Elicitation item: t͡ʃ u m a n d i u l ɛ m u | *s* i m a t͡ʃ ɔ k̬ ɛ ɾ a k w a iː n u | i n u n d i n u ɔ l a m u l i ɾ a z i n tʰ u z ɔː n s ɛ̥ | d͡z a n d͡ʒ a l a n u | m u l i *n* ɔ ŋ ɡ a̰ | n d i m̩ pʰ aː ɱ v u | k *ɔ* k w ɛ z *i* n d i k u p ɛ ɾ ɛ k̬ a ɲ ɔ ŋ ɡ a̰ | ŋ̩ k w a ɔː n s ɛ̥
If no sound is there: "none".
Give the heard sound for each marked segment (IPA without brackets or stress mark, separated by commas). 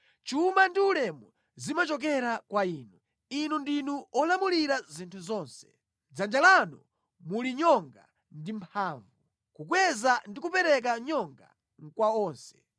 z, ɲ, u, a